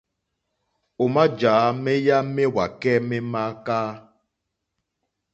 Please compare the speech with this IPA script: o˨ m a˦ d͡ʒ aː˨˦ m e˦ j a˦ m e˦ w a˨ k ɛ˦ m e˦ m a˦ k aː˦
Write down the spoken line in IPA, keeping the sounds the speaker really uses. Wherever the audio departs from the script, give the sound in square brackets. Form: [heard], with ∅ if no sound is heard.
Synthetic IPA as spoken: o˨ m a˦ d͡ʒ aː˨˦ m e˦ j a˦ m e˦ w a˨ k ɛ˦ m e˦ m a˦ k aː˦

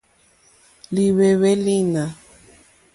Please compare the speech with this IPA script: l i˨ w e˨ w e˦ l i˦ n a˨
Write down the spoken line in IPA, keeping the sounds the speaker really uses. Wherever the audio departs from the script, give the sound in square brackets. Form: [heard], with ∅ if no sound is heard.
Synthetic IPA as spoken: l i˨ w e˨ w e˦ l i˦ n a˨

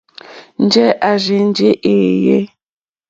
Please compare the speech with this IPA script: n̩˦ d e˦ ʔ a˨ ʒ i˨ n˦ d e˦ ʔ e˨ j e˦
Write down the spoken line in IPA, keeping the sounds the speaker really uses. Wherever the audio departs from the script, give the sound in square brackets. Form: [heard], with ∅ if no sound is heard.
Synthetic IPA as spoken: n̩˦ [d͡ʒ] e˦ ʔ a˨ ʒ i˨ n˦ [d͡ʒ] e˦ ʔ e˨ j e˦

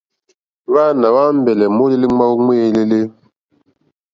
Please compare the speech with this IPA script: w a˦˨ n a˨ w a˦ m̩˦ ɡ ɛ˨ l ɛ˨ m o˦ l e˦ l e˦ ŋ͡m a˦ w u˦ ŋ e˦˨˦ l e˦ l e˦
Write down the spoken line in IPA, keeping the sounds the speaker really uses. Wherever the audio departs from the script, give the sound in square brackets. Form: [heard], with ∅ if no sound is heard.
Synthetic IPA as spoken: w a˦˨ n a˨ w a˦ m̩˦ [b] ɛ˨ l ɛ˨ m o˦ l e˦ l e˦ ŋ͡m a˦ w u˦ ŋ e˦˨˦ l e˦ l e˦

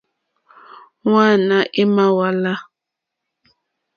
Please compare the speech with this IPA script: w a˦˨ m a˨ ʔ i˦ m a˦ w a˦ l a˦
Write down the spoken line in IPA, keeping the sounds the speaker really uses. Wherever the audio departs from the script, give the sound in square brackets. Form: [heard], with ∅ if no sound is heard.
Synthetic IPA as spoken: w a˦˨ [n] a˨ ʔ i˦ m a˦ w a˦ l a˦

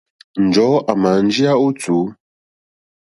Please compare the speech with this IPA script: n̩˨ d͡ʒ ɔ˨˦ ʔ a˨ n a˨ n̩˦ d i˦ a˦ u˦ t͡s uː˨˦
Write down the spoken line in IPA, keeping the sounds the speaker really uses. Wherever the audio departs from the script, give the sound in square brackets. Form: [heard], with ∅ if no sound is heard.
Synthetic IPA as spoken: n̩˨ d͡ʒ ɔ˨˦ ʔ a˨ [m] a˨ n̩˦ [d͡ʒ] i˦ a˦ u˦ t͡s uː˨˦

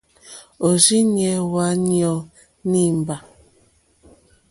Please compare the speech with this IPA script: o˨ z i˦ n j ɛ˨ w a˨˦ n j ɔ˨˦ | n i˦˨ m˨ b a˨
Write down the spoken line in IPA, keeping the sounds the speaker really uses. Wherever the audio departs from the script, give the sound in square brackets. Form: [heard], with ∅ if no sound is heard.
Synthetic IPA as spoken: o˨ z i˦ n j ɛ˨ w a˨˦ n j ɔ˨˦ | n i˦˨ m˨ b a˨

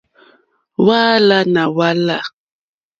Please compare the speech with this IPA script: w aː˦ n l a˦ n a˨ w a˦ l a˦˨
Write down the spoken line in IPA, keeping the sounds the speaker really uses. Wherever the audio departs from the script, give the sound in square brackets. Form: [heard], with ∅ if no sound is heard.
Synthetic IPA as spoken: w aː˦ [∅] l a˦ n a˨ w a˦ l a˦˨

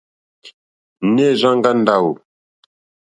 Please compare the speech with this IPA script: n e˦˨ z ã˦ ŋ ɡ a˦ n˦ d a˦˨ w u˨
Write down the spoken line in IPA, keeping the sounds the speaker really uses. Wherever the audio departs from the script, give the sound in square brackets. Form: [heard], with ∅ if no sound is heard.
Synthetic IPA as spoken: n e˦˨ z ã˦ ŋ ɡ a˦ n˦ d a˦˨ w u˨

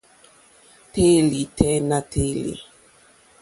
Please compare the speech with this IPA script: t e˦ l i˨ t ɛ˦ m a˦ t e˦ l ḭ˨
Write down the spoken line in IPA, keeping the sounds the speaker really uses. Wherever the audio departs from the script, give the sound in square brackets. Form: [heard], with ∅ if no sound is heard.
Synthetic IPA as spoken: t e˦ l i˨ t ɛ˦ [n] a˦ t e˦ l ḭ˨

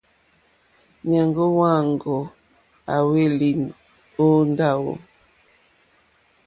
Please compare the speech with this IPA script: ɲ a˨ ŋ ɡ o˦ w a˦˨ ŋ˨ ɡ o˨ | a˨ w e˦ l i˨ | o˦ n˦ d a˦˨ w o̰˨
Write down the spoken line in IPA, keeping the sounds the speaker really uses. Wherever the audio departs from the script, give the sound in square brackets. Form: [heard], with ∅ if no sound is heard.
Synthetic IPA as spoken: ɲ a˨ ŋ ɡ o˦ w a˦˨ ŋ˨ ɡ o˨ | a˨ w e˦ l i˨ | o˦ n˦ d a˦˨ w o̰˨

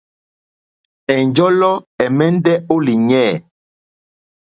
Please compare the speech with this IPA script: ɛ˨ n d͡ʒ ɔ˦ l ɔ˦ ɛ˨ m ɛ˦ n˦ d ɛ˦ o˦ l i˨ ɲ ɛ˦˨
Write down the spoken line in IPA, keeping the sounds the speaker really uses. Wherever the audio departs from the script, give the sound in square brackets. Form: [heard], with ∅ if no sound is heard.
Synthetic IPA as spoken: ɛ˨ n d͡ʒ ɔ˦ l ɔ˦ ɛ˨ m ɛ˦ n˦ d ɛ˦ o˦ l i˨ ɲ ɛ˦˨

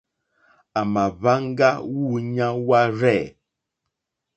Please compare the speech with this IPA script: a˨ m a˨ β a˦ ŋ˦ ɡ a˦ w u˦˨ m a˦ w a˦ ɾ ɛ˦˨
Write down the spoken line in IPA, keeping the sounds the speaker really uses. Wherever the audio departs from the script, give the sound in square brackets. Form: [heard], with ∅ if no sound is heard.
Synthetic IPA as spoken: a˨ m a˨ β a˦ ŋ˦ ɡ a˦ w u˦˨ [ɲ] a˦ w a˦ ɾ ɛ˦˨

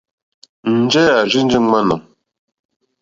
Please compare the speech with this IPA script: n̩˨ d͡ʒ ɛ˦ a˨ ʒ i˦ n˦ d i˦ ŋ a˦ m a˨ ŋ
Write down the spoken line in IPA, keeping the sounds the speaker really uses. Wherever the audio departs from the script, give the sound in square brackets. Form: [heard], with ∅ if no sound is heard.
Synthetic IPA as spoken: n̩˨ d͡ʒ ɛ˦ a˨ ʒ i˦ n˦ [d͡ʒ] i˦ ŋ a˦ [n] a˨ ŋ

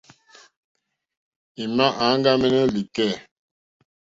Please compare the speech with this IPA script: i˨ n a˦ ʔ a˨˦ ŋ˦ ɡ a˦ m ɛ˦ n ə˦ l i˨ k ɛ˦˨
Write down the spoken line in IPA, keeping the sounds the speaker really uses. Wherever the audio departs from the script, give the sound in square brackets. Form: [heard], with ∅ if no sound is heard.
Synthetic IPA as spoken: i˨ [m] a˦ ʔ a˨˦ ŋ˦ ɡ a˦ m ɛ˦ n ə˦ l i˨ k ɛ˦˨

